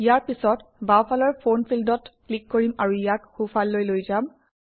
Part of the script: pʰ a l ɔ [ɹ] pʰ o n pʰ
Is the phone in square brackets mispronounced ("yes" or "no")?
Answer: no